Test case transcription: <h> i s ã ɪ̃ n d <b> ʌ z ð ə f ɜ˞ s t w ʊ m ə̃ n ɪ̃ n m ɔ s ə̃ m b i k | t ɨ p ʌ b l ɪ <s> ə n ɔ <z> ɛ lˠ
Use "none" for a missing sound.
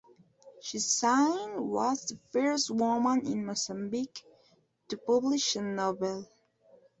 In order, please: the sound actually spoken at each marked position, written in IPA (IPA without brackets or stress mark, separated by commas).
ʃ, w, ʃ, v